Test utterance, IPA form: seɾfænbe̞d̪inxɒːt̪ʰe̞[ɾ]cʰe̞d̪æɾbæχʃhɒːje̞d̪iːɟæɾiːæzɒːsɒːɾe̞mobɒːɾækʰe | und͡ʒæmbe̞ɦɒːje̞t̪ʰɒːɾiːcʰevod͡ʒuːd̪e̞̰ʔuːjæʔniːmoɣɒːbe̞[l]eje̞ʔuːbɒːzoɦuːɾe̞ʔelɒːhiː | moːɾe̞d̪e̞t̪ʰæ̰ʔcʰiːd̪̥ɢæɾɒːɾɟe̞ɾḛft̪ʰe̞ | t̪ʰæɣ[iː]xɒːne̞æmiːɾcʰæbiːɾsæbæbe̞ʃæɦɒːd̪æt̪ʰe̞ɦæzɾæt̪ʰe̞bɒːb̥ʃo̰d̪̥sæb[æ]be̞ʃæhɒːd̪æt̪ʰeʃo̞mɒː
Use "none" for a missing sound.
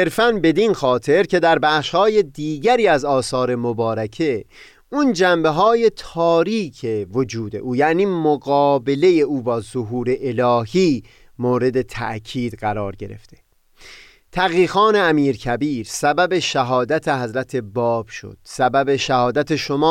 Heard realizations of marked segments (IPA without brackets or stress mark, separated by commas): ɾ, l, iː, æ